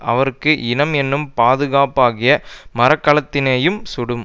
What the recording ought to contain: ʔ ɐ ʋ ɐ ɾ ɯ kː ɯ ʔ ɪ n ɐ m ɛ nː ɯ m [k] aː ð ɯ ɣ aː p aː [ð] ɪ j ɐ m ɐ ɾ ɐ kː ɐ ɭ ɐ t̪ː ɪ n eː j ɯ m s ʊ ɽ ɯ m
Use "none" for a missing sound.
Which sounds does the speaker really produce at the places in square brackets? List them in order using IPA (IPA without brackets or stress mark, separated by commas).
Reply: p, ɣ